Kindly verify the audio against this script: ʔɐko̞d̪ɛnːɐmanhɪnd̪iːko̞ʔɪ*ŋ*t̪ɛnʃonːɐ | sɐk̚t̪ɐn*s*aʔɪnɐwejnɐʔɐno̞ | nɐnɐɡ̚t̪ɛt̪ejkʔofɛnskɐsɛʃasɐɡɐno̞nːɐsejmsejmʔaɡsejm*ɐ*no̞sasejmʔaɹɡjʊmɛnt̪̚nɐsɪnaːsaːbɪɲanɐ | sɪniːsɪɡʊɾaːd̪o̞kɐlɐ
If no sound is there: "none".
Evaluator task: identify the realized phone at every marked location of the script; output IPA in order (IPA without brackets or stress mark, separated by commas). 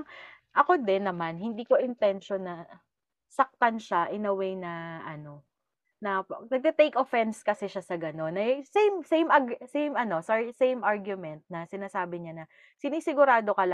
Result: n, ʃ, ɐ